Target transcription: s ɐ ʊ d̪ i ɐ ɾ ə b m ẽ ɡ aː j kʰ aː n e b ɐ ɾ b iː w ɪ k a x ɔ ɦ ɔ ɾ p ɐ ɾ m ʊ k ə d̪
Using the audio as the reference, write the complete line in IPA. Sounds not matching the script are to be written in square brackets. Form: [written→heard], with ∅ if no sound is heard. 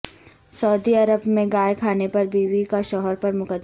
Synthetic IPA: s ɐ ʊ d̪ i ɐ ɾ ə b m ẽ ɡ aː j kʰ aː n e [b→p] ɐ ɾ b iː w [ɪ→i] k a [x→ʃ] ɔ ɦ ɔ ɾ p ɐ ɾ m ʊ k ə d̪